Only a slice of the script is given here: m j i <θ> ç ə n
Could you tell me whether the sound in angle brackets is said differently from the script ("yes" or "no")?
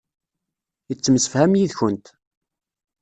yes